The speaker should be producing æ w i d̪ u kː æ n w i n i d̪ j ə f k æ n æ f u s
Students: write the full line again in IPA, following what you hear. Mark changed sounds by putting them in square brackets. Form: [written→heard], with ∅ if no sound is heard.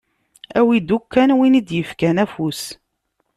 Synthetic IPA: æ w i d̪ u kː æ n w i n i d̪ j ə f k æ n æ f u s